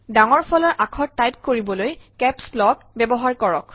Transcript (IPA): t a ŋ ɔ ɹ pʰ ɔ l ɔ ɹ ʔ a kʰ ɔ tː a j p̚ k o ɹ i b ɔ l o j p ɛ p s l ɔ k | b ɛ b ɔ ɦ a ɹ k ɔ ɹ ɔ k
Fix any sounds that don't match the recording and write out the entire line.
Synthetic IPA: d a ŋ ɔ ɹ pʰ ɔ l ɔ ɹ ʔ a kʰ ɔ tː a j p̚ k o ɹ i b ɔ l o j k ɛ p s l ɔ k | b ɛ b ɔ ɦ a ɹ k ɔ ɹ ɔ k